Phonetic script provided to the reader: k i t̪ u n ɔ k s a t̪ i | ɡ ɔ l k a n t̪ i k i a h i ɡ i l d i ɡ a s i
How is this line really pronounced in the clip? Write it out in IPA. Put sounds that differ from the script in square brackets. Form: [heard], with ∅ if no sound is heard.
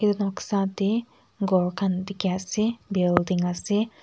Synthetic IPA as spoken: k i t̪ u n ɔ k s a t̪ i | ɡ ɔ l k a n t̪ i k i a [s] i [b] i l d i [ŋ] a s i

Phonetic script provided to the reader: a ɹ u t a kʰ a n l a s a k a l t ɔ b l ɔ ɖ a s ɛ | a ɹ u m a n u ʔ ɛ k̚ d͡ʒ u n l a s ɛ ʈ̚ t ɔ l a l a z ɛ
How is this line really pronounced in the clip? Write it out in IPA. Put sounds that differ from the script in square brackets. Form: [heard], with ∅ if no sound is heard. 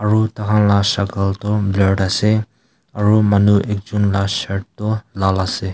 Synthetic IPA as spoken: a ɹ u t a kʰ a n l a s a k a l t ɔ b l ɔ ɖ a s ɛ | a ɹ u m a n u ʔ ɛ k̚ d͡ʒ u n l a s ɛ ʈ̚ t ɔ l a l a [s] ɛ

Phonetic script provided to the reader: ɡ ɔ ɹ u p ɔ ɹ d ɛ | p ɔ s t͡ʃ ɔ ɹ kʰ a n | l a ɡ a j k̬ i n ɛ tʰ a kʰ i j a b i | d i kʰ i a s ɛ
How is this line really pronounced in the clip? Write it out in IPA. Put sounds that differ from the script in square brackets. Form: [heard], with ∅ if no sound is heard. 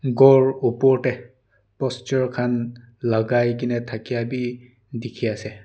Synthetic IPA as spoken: ɡ ɔ ɹ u p ɔ ɹ [t] ɛ | p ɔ s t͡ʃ ɔ ɹ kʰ a n | l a ɡ a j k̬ i n ɛ tʰ a [k] i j a b i | d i kʰ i a s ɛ

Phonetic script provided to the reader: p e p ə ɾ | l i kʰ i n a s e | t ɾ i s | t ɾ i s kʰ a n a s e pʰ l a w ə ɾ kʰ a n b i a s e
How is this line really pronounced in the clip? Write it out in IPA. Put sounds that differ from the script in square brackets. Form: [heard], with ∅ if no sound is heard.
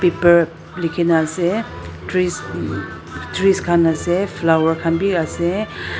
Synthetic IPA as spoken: p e p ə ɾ | l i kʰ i n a s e | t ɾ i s | t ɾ i s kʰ a n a s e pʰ l a w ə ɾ kʰ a n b i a s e

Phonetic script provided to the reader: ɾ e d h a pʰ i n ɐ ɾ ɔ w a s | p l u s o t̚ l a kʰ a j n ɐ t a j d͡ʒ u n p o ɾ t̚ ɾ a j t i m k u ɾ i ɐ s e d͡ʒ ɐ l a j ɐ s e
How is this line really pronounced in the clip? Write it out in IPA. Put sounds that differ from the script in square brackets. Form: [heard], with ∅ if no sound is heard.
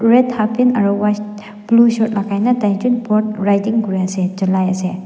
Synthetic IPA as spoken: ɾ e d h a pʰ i n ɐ ɾ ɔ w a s | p l u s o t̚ l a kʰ a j n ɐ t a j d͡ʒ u n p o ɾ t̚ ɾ a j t i [ŋ] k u ɾ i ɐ s e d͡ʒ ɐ l a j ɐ s e

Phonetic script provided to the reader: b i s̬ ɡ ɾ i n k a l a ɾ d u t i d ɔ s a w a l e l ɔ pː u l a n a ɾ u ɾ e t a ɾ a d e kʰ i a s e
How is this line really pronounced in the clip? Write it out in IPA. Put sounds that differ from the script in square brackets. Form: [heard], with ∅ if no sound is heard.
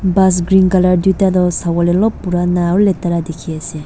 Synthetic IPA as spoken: b [a] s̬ ɡ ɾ i n k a l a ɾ d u t [a] d ɔ s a w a l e l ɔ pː u [ɾ] a n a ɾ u [l] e t a ɾ a d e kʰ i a s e

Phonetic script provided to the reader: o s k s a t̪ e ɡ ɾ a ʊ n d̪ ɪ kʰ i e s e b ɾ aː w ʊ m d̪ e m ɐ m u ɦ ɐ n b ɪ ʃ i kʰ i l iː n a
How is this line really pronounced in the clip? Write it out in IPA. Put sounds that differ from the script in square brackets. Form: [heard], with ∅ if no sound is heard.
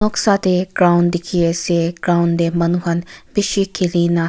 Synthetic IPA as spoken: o [∅] k s a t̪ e ɡ ɾ a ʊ n d̪ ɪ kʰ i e s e [ɡ] ɾ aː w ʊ [n] d̪ e m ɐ [n] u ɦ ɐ n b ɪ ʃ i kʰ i l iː n a

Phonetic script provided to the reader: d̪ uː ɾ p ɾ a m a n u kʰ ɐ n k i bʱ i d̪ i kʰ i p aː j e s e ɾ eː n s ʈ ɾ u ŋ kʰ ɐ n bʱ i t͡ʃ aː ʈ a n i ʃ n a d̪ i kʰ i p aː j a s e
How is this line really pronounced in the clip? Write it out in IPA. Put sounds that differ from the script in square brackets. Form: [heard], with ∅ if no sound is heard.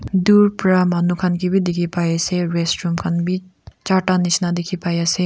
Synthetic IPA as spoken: d̪ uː ɾ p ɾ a m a n u kʰ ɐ n k i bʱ i d̪ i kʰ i p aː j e s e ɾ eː [∅] s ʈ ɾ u [m] kʰ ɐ n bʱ i t͡ʃ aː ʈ a n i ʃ n a d̪ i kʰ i p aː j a s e

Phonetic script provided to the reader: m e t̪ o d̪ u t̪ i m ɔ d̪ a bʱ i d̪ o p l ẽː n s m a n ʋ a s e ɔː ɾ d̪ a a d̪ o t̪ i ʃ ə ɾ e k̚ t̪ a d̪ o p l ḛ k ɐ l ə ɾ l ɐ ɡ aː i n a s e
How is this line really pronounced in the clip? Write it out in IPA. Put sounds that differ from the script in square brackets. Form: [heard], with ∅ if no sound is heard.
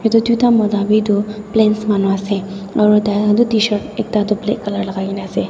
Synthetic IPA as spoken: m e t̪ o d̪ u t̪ [a] m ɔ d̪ a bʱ i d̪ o p l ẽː n s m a n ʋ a s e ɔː ɾ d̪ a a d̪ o t̪ i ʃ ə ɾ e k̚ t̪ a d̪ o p l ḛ k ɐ l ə ɾ l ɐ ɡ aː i n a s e

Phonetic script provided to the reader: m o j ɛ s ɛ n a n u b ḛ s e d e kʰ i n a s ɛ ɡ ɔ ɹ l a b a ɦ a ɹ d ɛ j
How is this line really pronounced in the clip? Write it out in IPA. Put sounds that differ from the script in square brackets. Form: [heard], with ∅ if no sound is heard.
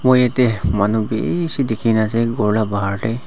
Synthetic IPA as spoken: m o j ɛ [t] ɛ [m] a n u b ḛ s [i] d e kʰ i n a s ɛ ɡ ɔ ɹ l a b a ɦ a ɹ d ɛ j

